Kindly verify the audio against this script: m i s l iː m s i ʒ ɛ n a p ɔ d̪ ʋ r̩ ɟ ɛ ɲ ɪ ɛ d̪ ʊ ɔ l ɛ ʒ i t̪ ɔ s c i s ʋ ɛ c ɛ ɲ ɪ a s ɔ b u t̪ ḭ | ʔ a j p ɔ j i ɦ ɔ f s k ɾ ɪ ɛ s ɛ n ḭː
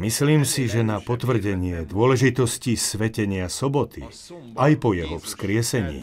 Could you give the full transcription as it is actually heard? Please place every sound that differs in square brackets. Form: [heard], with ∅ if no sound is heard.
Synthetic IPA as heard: m i s l iː m s i ʒ ɛ n a p ɔ [t̪] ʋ r̩ ɟ ɛ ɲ ɪ ɛ d̪ ʊ ɔ l ɛ ʒ i t̪ ɔ s c i s ʋ ɛ c ɛ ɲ ɪ a s ɔ b [ɔ] t̪ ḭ | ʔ a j p ɔ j [ɛ] ɦ ɔ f s k ɾ ɪ ɛ s ɛ [ɲ] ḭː